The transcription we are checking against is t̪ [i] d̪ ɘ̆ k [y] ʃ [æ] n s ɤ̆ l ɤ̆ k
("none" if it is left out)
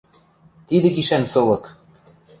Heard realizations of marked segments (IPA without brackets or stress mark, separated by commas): i, i, æ